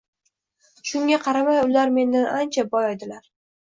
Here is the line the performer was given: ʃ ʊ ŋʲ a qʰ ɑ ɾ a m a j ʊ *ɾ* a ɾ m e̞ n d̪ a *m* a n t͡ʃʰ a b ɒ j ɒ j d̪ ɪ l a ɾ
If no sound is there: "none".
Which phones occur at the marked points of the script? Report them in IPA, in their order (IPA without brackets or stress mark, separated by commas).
l, n